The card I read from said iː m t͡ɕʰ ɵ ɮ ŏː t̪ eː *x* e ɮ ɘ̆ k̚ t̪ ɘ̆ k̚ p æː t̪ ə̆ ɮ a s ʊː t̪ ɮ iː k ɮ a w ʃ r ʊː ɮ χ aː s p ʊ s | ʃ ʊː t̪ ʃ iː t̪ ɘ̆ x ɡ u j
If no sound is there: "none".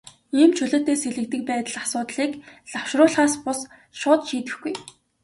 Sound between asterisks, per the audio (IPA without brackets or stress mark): s